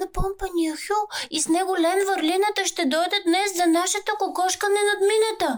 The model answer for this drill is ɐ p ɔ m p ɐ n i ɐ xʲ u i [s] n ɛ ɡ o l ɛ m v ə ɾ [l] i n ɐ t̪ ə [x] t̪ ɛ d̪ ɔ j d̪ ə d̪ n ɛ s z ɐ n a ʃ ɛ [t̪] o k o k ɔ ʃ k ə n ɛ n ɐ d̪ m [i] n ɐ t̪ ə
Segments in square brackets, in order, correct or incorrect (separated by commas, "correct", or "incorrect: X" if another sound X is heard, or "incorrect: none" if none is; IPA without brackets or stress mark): correct, correct, incorrect: ʃ, correct, correct